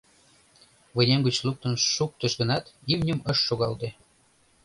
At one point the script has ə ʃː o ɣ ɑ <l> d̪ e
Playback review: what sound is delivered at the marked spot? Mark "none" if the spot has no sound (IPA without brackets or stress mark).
l